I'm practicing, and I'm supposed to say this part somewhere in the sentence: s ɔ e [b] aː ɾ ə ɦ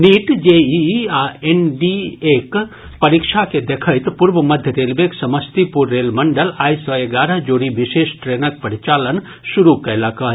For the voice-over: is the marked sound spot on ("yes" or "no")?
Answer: no